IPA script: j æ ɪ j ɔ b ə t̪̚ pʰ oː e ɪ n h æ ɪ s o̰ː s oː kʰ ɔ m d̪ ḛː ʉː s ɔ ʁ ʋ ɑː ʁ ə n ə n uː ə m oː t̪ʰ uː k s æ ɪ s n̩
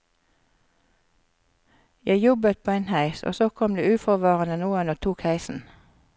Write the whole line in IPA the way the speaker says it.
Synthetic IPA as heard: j æ ɪ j ɔ b ə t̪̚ pʰ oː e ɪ n h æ ɪ s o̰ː s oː kʰ ɔ m d̪ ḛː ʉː f ɔ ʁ ʋ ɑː ʁ ə n ə n uː ə n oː t̪ʰ uː k h æ ɪ s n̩